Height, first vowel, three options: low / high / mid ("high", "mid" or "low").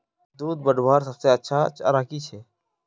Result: high